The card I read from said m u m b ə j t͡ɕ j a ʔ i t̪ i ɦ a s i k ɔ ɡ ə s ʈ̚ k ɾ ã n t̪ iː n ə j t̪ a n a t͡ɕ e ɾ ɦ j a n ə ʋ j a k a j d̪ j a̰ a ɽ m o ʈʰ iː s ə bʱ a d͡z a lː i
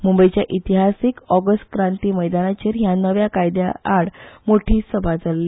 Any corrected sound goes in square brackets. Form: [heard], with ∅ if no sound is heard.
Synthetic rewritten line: m u m b ə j t͡ɕ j a ʔ i t̪ i ɦ a s i k ɔ ɡ ə s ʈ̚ k ɾ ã n t̪ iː [m] ə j [d̪] a n a t͡ɕ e ɾ ɦ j a n ə ʋ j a k a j d̪ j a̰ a ɽ m o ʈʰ iː s ə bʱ a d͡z a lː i

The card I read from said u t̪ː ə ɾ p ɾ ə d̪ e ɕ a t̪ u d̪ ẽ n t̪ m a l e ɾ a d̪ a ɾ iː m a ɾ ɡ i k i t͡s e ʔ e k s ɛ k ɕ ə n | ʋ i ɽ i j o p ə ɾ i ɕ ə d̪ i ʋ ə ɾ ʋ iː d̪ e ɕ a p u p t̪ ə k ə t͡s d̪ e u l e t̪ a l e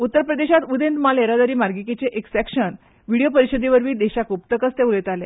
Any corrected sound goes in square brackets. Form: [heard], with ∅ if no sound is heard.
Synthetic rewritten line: u t̪ː ə ɾ p ɾ ə d̪ e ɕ a t̪ u d̪ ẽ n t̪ m a l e ɾ a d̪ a ɾ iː m a ɾ ɡ i k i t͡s e ʔ e k s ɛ k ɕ ə n | ʋ i ɽ i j o p ə ɾ i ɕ ə d̪ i ʋ ə ɾ ʋ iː d̪ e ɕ a [k] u p t̪ ə k ə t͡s [t̪] e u l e t̪ a l e

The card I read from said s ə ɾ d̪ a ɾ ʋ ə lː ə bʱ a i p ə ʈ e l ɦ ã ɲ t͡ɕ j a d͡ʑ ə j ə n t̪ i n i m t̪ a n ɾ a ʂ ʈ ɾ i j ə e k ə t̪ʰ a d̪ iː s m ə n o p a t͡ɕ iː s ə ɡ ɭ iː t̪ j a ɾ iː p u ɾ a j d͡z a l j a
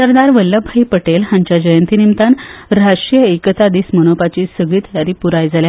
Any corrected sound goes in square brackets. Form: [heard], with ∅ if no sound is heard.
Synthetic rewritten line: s ə ɾ d̪ a ɾ ʋ ə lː ə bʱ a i p ə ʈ e l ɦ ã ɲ t͡ɕ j a d͡ʑ ə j ə n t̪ i n i m t̪ a n ɾ a ʂ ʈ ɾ i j ə e k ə [t̪] a d̪ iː s m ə n o p a t͡ɕ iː s ə ɡ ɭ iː t̪ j a ɾ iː p u ɾ a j d͡z a l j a

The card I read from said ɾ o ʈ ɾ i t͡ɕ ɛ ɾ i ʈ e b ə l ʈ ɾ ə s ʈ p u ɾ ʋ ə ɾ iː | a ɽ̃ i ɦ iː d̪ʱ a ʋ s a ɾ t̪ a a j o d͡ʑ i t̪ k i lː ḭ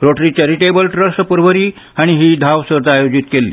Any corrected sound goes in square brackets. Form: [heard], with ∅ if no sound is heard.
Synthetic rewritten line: ɾ o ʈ ɾ i t͡ɕ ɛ ɾ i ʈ e b ə l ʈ ɾ ə s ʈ p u ɾ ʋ ə ɾ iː | a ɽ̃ i ɦ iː d̪ʱ a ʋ s [ə] ɾ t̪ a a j o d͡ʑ i t̪ k [e] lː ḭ

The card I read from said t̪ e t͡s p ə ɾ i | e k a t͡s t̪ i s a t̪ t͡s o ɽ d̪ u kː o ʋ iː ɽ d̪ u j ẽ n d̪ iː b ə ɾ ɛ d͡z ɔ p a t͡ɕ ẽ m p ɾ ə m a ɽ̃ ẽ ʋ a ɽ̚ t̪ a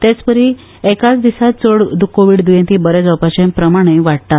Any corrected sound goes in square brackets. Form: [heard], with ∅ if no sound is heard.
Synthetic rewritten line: t̪ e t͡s p ə ɾ i | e k a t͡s [d̪] i s a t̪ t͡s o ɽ d̪ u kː o ʋ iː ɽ d̪ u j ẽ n [t̪] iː b ə ɾ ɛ d͡z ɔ p a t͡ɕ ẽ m p ɾ ə m a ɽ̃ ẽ ʋ a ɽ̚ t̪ a

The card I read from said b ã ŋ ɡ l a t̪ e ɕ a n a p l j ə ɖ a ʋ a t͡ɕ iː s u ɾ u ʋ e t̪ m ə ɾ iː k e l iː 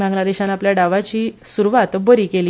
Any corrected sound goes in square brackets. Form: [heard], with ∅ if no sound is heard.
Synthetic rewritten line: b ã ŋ ɡ l a [d̪] e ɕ a n a p l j [a] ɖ a ʋ a t͡ɕ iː s u ɾ u ʋ [a] t̪ [b] ə ɾ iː k e l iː

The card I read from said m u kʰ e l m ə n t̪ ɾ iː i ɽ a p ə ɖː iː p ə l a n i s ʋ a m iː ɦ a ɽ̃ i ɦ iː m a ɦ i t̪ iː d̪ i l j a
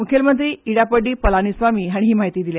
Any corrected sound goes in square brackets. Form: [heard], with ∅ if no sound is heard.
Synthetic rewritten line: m u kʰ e l m ə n t̪ ɾ iː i ɽ a p ə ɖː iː p ə l a n i s ʋ a m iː ɦ a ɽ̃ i ɦ iː m a ɦ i t̪ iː d̪ i l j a

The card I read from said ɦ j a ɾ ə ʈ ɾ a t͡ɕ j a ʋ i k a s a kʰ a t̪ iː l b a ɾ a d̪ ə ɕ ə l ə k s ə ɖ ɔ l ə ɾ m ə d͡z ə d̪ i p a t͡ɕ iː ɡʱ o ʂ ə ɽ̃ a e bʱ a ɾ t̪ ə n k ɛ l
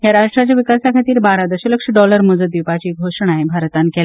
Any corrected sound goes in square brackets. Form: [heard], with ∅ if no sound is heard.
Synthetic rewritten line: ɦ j a ɾ [a] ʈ ɾ a t͡ɕ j a ʋ i k a s a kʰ a t̪ iː [ɾ] b a ɾ a d̪ ə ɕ ə l ə k [ʂ] ə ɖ ɔ l ə ɾ m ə d͡z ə d̪ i p a t͡ɕ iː ɡʱ o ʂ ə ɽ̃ a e bʱ a ɾ t̪ [a] n k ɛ l

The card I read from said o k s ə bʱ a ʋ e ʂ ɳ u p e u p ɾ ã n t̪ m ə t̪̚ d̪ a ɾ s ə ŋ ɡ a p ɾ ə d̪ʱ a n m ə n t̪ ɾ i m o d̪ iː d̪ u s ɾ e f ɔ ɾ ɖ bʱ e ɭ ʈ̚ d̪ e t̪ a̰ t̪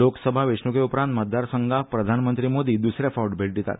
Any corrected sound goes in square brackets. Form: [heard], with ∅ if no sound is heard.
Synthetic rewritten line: o k s ə bʱ a ʋ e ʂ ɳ u [k] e u p ɾ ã n t̪ m ə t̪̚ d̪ a ɾ s ə ŋ ɡ a p ɾ ə d̪ʱ a n m ə n t̪ ɾ i m o d̪ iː d̪ u s ɾ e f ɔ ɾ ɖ bʱ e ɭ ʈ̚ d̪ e t̪ a̰ t̪

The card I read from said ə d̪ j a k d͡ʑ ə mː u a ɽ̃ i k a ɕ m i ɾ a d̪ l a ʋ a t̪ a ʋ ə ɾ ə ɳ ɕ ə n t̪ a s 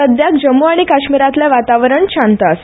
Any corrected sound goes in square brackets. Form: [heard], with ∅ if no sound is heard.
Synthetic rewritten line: ə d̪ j a k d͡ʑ ə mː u a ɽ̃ i k a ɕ m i ɾ a [t̪] l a ʋ a t̪ a ʋ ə ɾ ə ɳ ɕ [a] n t̪ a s

